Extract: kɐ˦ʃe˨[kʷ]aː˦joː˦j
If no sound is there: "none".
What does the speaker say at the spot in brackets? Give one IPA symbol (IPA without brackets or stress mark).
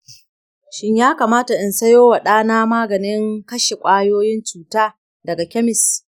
kʷʼ